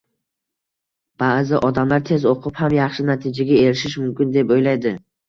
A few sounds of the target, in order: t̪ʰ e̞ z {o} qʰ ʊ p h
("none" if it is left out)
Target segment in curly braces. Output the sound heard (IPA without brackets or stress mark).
o